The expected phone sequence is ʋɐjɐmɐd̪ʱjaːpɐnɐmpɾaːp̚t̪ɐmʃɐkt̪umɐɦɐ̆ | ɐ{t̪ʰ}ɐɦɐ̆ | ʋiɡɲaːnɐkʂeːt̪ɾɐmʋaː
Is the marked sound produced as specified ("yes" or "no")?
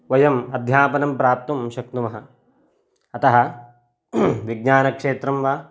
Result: no